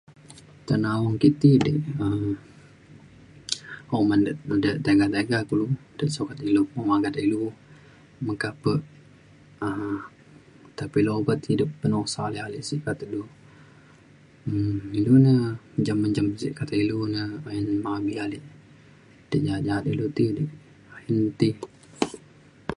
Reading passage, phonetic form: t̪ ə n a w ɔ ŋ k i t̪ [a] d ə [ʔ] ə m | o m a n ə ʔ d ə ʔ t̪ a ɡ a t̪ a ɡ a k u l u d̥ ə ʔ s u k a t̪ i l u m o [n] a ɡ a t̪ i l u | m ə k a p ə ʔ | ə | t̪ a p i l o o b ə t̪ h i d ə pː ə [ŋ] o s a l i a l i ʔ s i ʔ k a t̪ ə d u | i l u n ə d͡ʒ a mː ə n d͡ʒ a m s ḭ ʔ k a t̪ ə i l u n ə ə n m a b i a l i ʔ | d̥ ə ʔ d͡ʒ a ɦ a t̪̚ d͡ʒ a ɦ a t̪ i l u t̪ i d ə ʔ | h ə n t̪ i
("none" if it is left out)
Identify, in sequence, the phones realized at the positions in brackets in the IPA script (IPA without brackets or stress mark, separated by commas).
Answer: i, ʔ, m, n